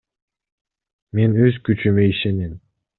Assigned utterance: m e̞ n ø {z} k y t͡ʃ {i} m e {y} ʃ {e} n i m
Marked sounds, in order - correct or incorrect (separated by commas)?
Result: correct, incorrect, incorrect, correct